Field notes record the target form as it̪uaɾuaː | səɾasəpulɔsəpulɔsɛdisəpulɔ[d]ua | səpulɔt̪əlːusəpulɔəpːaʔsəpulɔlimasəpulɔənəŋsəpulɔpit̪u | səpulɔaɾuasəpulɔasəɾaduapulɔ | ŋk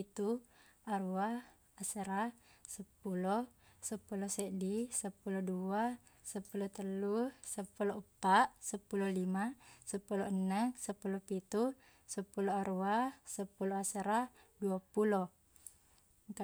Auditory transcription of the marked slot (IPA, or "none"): d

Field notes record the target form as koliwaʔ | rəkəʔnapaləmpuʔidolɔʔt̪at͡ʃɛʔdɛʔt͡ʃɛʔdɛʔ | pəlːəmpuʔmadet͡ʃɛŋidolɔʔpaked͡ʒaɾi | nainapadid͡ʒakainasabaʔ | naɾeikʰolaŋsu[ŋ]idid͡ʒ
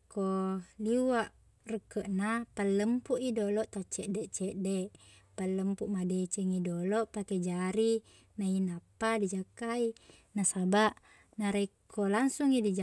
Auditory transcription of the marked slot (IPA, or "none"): ŋ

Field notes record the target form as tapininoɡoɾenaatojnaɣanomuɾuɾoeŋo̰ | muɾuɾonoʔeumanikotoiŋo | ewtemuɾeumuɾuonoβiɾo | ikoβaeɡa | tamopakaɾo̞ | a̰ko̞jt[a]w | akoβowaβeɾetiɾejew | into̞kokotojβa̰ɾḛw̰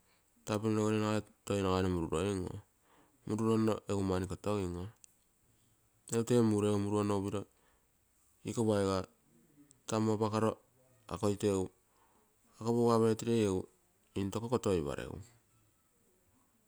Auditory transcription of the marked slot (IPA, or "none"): e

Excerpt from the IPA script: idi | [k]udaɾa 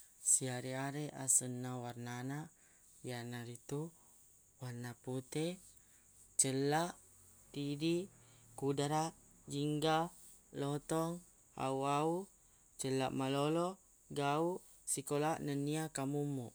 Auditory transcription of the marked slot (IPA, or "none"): k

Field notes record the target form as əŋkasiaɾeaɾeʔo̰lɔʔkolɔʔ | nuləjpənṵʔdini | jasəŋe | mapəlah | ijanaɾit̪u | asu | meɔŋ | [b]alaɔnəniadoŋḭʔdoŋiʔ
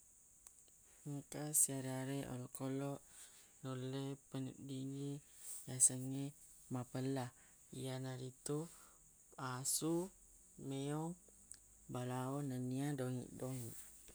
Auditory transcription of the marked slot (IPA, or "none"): b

